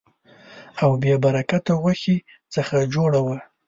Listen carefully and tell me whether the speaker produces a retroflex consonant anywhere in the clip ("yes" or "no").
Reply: yes